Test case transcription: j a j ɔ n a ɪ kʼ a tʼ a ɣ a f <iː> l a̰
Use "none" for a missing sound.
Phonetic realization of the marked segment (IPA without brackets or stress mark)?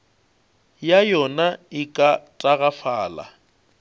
aː